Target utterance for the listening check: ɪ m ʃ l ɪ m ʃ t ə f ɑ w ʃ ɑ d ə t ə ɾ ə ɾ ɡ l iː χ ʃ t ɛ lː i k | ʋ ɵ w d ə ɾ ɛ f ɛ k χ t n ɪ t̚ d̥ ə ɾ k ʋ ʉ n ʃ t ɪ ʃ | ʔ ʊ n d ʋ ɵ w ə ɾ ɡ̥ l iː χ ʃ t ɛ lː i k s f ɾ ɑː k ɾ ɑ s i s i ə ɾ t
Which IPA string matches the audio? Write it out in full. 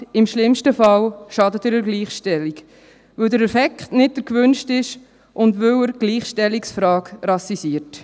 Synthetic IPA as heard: ɪ m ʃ l ɪ m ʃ t ə f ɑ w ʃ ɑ d ə t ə ɾ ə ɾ ɡ l iː χ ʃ t ɛ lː i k | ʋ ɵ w d ə ɾ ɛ f ɛ k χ t n ɪ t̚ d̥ ə ɾ k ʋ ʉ n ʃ t ɪ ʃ | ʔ ʊ n d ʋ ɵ w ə ɾ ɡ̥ l iː χ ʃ t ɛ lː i k s f ɾ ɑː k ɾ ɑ s i s i ə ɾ t